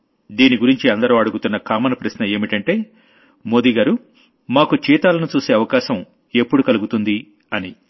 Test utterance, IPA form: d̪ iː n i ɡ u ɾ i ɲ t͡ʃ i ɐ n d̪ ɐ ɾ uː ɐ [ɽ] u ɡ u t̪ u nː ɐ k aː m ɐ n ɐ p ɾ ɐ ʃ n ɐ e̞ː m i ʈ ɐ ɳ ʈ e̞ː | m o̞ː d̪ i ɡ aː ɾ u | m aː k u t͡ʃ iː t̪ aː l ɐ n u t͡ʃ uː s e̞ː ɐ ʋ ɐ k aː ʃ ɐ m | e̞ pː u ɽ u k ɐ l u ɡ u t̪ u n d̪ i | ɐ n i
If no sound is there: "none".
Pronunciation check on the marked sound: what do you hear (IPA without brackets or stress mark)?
ɽ